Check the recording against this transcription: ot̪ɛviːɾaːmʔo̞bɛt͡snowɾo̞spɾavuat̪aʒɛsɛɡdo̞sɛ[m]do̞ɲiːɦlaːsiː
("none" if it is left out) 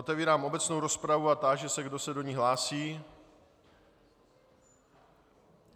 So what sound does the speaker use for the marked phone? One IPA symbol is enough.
none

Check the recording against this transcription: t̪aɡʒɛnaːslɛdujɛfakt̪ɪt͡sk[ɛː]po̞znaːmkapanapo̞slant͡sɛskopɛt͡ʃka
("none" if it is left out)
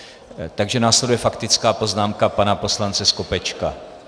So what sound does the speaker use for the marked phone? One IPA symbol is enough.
aː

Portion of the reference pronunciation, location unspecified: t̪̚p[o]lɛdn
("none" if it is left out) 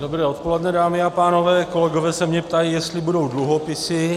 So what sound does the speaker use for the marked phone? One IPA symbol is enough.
o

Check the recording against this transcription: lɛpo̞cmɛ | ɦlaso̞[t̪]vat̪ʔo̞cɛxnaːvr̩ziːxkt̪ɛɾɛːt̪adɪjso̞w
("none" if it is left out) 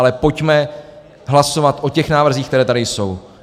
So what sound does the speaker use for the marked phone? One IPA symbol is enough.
none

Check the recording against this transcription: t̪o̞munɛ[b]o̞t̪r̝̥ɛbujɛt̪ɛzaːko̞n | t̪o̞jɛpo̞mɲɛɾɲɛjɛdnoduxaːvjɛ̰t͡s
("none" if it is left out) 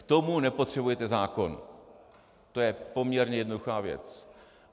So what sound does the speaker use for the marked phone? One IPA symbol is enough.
p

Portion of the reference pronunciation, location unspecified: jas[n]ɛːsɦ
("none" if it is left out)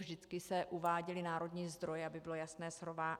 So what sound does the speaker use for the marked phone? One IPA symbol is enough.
n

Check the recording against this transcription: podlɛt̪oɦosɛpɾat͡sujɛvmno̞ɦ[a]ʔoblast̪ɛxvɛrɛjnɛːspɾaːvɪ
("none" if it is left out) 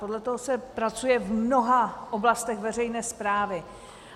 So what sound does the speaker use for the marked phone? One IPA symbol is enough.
a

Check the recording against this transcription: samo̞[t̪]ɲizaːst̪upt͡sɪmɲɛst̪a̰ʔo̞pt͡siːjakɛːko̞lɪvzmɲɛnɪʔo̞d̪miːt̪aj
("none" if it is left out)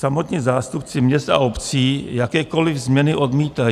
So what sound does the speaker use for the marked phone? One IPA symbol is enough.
t̪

